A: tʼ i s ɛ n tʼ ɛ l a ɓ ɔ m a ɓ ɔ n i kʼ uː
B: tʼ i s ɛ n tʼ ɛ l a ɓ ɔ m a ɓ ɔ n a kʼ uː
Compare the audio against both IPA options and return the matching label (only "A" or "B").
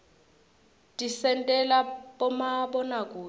B